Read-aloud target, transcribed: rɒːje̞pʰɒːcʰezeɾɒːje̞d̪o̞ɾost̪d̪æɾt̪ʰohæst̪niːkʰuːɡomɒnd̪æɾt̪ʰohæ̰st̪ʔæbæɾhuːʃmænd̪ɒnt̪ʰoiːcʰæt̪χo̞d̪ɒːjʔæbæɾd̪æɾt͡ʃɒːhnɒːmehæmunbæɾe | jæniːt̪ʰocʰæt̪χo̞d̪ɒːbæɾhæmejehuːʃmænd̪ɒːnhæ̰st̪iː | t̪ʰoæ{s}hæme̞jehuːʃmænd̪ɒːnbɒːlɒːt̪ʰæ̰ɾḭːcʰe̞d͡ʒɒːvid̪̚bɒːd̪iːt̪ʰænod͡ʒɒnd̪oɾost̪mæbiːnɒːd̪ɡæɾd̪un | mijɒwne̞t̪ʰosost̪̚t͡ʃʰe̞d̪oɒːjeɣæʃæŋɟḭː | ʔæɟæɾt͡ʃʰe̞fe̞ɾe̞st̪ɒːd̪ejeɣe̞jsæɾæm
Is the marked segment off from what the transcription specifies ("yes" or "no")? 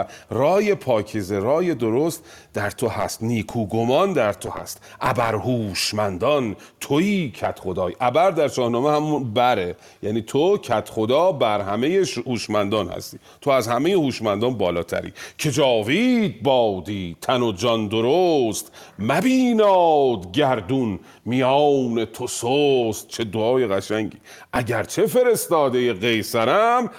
yes